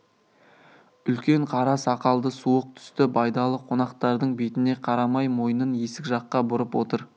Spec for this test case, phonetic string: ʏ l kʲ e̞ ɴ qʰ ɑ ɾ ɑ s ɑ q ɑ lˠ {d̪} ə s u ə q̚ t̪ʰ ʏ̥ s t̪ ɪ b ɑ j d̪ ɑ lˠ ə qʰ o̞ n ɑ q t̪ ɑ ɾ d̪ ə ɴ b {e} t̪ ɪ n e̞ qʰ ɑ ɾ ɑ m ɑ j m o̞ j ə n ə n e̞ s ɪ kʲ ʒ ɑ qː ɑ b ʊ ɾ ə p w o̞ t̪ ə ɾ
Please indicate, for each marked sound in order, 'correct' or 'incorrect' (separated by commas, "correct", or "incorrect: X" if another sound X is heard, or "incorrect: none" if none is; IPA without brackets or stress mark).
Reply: correct, correct